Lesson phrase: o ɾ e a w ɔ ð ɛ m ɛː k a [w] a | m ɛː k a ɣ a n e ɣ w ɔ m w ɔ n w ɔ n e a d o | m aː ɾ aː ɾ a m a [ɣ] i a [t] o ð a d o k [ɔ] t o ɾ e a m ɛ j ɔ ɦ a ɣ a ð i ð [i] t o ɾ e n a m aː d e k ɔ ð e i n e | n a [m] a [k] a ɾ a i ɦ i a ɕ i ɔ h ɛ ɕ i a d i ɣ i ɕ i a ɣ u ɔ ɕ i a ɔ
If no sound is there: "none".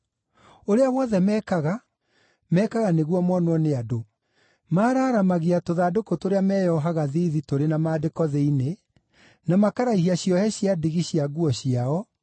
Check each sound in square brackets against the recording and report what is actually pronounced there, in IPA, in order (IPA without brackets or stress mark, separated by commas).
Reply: ɣ, ɣ, t, o, i, m, k